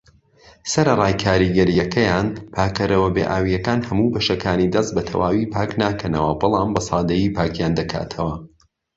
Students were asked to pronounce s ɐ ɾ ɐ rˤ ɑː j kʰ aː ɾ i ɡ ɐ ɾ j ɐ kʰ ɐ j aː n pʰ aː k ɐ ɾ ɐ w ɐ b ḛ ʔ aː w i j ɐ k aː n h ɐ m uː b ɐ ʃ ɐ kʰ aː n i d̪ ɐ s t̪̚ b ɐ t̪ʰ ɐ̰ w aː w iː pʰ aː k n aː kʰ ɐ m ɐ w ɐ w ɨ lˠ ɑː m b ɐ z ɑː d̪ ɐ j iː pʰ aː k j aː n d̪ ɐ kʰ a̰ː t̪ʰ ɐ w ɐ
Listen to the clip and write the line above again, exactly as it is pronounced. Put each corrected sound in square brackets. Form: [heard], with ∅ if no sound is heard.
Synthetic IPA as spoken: s ɐ ɾ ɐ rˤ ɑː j kʰ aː ɾ i ɡ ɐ ɾ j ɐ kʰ ɐ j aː n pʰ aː k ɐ ɾ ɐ w ɐ b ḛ ʔ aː w i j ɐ k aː n h ɐ m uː b ɐ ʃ ɐ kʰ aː n i d̪ ɐ s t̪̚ b ɐ t̪ʰ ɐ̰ w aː w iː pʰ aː k n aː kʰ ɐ [n] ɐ w ɐ [b] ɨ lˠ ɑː m b ɐ [s] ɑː d̪ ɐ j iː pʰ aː k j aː n d̪ ɐ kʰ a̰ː t̪ʰ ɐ w ɐ